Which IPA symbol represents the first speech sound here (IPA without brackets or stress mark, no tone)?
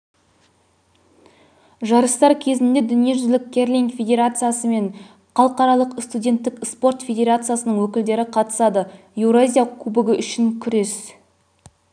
ʒ